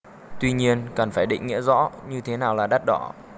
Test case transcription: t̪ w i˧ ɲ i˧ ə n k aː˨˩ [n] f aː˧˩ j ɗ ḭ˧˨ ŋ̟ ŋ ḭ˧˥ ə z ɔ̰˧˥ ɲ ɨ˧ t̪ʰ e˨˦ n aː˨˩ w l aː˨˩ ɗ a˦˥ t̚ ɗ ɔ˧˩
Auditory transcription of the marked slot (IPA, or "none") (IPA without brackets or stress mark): n